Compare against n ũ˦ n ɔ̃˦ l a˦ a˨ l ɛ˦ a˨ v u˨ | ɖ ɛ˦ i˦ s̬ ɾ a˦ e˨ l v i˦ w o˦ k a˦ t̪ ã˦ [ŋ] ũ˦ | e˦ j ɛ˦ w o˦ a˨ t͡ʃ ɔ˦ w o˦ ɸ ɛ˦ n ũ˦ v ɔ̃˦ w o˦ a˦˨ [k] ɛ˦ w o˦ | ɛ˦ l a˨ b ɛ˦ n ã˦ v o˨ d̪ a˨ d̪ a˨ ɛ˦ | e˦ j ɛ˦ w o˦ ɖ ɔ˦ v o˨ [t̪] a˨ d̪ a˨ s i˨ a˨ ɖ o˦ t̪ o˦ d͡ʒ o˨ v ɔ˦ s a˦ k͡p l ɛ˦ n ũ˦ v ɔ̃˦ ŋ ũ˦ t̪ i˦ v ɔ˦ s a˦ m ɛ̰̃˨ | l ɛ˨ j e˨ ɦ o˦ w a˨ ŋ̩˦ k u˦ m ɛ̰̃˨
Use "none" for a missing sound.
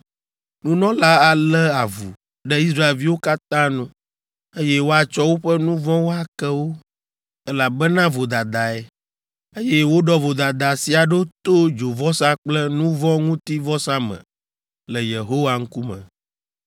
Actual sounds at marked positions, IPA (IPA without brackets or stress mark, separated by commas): n, k, d̪